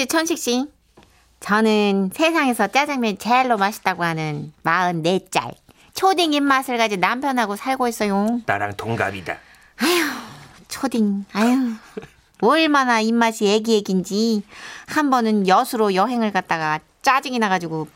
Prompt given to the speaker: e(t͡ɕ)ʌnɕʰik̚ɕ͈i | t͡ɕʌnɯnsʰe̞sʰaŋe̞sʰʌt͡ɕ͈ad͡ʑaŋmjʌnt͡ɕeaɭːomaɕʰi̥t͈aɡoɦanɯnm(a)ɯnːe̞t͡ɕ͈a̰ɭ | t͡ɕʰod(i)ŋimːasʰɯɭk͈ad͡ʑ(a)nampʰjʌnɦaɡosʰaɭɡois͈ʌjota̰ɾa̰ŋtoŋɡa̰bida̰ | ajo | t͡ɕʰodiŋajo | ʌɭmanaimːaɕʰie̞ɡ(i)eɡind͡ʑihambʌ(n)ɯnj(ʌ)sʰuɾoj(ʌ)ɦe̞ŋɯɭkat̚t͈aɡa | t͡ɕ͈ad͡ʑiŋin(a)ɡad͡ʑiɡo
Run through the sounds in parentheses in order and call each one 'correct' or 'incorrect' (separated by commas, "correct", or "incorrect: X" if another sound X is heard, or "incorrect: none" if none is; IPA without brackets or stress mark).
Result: incorrect: t͡ɕʰ, correct, correct, incorrect: i, correct, correct, correct, correct, correct